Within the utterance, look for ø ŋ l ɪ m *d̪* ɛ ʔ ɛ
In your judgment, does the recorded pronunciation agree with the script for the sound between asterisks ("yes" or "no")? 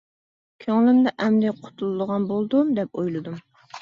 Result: yes